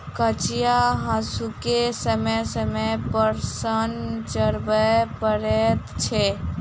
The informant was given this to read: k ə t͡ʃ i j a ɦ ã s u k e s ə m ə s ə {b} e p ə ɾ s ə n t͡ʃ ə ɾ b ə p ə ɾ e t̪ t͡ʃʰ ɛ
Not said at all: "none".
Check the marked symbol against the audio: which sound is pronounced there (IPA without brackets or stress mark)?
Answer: m